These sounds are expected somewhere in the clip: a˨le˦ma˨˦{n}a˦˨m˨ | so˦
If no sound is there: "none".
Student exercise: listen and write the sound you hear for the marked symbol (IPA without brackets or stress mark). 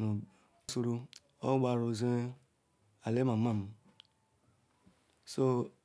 m